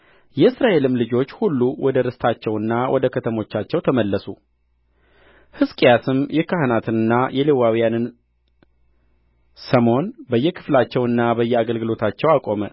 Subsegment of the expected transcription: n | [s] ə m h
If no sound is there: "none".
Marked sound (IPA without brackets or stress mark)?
s